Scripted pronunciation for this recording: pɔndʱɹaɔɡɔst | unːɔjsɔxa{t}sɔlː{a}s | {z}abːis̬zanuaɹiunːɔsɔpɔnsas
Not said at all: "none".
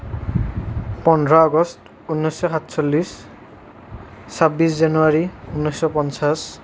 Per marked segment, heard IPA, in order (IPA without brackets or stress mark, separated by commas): t, i, s